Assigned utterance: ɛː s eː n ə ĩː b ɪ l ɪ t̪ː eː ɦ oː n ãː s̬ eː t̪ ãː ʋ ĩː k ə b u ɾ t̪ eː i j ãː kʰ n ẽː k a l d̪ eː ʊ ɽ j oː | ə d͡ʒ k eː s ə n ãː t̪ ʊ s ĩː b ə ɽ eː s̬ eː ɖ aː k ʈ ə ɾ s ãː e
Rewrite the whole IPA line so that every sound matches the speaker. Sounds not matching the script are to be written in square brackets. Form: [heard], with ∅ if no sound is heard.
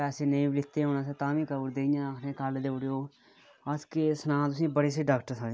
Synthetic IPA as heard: ɛː s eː n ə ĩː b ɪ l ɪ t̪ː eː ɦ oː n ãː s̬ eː t̪ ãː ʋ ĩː k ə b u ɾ [d̪] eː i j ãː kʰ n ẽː k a l d̪ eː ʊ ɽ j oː | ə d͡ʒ k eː s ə n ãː t̪ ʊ s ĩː b ə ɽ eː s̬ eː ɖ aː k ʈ ə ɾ s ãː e